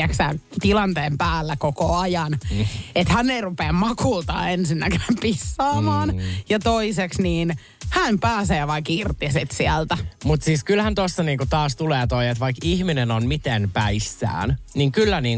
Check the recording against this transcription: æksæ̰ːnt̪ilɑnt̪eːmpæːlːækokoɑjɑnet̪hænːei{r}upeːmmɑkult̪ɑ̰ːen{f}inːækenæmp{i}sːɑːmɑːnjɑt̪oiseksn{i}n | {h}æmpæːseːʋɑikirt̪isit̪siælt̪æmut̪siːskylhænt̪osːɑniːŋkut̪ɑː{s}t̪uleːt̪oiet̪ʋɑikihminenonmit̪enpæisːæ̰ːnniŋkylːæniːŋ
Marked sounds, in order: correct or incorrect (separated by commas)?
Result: correct, incorrect, correct, incorrect, correct, correct